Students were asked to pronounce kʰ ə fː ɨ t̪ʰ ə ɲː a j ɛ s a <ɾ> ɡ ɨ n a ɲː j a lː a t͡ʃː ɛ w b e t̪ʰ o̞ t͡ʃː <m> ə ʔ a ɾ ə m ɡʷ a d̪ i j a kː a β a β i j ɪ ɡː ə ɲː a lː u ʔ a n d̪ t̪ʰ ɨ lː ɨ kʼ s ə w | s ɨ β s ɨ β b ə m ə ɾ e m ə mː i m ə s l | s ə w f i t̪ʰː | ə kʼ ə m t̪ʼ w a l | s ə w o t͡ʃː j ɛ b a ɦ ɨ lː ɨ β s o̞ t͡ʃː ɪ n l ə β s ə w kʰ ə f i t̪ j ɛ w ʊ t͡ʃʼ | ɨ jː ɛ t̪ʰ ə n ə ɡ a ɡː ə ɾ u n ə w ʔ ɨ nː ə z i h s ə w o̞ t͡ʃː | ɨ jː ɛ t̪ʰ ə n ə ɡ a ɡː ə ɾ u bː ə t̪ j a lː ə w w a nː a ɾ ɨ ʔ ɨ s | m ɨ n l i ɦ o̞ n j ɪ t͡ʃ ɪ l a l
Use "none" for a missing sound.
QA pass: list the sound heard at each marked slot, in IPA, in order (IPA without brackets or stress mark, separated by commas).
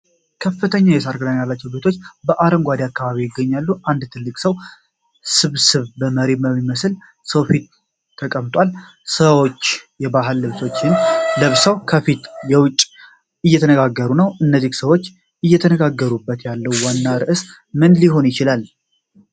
ɾ, b